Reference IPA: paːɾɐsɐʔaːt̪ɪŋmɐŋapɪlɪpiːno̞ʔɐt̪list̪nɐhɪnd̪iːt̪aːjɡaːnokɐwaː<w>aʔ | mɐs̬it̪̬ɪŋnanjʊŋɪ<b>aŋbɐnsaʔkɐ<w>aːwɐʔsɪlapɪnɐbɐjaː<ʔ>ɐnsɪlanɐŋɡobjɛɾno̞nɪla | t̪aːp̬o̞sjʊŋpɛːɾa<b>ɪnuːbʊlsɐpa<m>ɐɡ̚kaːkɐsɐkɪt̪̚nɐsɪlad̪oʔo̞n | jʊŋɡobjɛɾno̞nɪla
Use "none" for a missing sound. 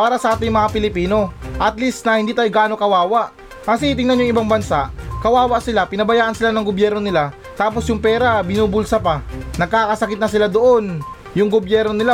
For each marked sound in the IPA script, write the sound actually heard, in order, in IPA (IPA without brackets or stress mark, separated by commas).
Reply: w, b, w, ʔ, b, n